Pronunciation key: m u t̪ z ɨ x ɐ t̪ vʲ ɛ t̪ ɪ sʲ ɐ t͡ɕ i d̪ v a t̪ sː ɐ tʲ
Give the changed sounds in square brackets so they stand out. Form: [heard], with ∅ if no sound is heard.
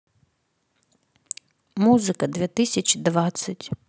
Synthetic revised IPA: m u [∅] z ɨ [k] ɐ [d̪] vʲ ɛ t̪ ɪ sʲ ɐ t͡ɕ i d̪ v a t̪ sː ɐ tʲ